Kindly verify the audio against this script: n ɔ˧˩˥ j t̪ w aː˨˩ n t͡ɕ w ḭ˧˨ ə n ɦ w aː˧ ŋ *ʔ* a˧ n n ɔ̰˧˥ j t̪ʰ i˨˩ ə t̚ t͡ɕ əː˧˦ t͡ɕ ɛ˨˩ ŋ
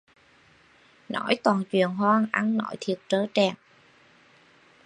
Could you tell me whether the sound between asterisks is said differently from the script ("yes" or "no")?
no